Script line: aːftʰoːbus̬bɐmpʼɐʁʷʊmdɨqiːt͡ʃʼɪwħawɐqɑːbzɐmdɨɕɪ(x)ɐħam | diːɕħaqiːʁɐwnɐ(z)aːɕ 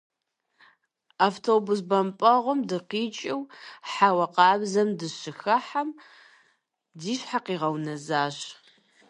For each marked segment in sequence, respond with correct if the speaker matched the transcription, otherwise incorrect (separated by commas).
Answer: correct, correct